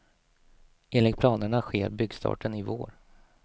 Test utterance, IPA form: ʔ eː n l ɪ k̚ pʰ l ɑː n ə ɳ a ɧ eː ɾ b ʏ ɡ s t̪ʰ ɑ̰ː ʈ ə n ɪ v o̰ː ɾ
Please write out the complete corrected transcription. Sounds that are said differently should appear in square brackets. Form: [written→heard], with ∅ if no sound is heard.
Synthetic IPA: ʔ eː n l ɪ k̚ pʰ l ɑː n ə ɳ a ɧ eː ɾ b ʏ ɡ s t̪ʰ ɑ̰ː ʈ ə n ɪ v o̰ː ɾ